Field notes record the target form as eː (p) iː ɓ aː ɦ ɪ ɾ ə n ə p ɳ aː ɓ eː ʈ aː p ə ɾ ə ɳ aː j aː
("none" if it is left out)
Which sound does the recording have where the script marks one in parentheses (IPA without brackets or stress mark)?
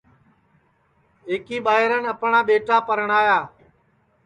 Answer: k